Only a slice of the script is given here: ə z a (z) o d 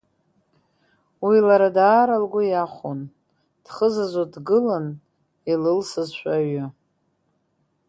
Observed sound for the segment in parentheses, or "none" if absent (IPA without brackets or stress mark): z